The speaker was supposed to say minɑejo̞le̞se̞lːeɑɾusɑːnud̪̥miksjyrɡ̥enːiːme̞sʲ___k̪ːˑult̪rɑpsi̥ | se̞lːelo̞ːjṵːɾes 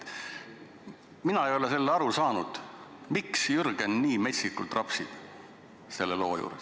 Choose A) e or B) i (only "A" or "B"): B